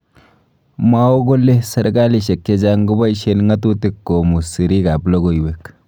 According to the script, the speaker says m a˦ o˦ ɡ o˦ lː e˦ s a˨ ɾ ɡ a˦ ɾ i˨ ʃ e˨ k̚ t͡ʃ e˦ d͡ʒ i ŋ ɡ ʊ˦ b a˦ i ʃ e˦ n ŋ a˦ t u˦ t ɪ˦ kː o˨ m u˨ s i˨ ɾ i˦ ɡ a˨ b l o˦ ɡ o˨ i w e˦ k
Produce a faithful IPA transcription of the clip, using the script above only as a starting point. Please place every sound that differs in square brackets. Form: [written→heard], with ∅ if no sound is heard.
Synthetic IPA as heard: m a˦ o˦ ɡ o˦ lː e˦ s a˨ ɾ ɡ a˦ [ɾ→l] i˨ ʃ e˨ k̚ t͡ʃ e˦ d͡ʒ [i→a] ŋ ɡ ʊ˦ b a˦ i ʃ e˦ n ŋ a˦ t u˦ t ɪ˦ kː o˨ m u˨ s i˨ ɾ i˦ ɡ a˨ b l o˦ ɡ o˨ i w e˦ k